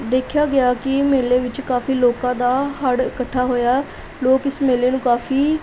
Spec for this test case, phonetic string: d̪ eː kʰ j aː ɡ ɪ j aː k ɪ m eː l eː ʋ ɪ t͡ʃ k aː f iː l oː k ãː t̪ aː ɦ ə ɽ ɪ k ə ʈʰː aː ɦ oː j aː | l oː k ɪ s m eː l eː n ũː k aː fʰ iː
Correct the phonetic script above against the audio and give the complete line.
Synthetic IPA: d̪ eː kʰ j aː ɡ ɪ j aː k ɪ m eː l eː ʋ ɪ t͡ʃ k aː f iː l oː k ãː d̪ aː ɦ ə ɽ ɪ k ə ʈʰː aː ɦ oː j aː | l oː k ɪ s m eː l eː n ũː k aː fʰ iː